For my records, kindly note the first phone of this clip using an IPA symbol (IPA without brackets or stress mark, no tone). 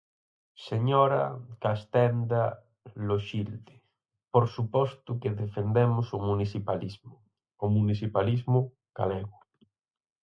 s